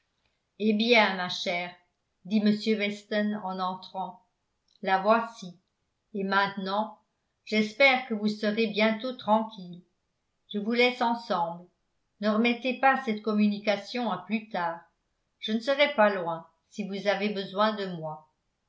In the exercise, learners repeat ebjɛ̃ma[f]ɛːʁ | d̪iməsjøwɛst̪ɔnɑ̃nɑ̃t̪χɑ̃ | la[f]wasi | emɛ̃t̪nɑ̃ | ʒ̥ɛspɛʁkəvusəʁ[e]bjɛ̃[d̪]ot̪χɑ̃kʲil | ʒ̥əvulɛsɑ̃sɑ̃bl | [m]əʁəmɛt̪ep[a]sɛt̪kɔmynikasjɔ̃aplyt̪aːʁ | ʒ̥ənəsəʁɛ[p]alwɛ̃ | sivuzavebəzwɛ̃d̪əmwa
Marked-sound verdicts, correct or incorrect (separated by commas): incorrect, incorrect, correct, incorrect, incorrect, correct, correct